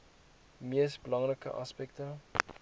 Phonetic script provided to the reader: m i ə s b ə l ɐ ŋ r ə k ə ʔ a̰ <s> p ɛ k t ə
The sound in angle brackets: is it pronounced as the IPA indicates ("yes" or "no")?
yes